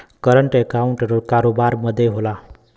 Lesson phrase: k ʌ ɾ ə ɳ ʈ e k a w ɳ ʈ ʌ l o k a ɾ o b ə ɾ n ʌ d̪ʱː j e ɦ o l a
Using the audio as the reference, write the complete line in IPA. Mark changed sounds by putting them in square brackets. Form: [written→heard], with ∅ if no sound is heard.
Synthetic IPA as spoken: k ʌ ɾ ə ɳ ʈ e k a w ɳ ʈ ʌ [l→ɾ] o k a ɾ o b [ə→a] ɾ [n→m] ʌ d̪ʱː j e ɦ o l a